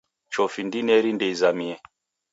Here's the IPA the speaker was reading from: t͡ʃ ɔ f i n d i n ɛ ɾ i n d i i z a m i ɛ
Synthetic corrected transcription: t͡ʃ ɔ f i n d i n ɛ ɾ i n d ɛ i z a m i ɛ

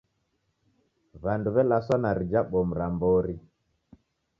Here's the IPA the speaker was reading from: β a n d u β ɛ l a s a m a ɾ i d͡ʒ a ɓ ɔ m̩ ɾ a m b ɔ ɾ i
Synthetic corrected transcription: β a n d u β ɛ l a s a n a ɾ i d͡ʒ a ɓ ɔ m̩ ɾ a m b ɔ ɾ i

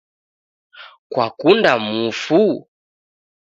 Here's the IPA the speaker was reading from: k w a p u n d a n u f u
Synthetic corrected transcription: k w a k u n d a m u f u

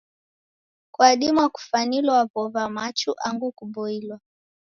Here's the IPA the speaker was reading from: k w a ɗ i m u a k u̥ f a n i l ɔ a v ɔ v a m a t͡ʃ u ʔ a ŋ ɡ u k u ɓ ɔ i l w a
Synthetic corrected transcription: k w a ɗ i m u a k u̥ f a n i l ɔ a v ɔ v a m a t͡ʃ u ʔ a ŋ ɡ u k u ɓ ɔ i l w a

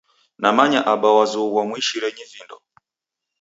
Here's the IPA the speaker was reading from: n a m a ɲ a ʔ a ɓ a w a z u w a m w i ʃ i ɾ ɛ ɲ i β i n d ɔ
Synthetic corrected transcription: n a m a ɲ a ʔ a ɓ a w a z u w a m w i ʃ i ɾ ɛ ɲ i v i n d ɔ

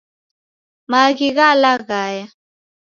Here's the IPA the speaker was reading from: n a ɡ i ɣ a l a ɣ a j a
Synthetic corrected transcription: m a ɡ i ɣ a l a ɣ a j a

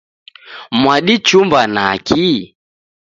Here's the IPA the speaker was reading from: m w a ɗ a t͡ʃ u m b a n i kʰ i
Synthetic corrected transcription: m w a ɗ i t͡ʃ u m b a n a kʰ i

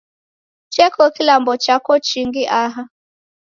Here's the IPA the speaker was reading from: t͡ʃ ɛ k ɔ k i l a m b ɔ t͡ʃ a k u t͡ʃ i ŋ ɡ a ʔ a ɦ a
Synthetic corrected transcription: t͡ʃ ɛ k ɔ k i l a m b ɔ t͡ʃ a k ɔ t͡ʃ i ŋ ɡ i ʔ a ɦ a

